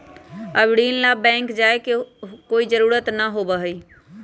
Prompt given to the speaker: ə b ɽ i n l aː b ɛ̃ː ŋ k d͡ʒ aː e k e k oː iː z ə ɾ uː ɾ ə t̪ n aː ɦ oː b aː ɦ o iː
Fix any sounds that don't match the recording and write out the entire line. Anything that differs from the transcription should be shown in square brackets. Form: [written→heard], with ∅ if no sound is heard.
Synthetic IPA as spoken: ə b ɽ [i→iː] n l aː b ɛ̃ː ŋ k d͡ʒ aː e k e k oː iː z ə ɾ uː ɾ ə t̪ n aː ɦ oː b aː ɦ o iː